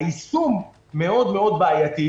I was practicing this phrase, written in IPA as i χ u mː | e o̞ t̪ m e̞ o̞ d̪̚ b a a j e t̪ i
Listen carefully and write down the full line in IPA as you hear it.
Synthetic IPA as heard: i s u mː | e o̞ d̪ m e̞ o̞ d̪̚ b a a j a t̪ i